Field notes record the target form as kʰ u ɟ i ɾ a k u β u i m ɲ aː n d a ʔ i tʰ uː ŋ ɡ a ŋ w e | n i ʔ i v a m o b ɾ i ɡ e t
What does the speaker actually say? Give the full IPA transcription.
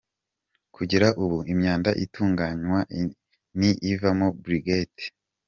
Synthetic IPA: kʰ u ɟ i ɾ a ʔ u β u i m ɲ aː n d a ʔ i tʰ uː ŋ ɡ a ɲ w a | n i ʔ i v a m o b ɾ i ɡ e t